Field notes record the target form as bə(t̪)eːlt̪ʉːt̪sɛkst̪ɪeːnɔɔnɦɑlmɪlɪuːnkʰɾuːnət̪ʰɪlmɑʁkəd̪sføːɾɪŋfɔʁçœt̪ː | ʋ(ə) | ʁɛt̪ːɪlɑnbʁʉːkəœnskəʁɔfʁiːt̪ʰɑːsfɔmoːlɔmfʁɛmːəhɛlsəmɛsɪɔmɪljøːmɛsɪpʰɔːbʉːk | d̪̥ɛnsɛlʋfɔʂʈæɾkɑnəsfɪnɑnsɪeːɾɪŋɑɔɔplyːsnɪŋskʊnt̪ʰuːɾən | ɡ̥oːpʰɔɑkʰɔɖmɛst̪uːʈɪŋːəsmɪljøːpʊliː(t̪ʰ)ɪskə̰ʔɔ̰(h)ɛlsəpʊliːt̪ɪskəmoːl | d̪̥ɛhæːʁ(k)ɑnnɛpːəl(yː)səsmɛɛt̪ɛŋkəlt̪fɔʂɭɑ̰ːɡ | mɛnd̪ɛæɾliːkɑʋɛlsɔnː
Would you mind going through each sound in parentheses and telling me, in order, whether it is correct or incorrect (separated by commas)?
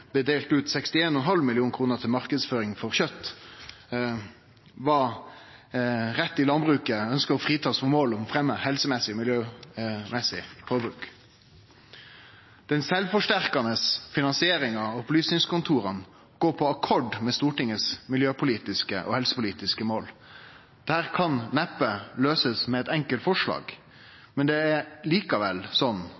incorrect, incorrect, incorrect, correct, incorrect, incorrect